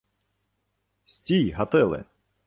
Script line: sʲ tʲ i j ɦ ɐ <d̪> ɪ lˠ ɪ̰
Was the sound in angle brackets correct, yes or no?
no